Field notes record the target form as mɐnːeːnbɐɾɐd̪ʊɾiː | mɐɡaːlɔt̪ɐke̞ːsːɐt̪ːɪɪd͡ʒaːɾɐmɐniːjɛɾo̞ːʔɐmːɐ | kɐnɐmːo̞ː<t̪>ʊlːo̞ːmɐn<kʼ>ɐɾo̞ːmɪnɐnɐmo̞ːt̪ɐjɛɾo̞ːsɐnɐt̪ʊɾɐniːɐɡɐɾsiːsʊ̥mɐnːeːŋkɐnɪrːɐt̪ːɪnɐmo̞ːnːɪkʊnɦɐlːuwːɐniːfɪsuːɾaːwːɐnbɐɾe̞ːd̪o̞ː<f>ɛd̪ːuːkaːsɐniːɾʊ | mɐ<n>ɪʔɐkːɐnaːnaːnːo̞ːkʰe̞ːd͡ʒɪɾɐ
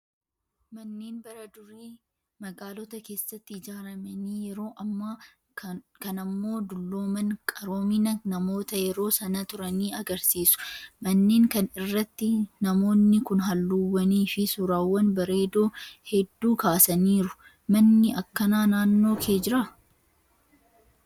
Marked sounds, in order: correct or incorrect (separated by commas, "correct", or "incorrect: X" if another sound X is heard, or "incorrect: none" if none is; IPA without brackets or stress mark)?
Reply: incorrect: d̪, correct, incorrect: h, incorrect: nː